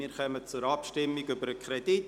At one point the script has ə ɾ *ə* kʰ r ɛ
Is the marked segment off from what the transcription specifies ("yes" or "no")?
no